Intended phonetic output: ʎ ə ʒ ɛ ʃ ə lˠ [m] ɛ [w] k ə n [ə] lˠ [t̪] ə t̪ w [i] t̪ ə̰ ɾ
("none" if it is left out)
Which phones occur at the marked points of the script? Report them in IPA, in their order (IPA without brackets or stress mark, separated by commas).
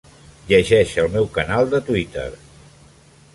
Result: m, w, a, d̪, i